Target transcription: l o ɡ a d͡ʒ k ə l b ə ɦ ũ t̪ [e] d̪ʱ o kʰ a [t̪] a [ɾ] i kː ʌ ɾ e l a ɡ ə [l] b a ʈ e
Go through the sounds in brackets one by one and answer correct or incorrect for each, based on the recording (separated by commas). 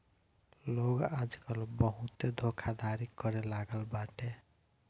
correct, incorrect, correct, correct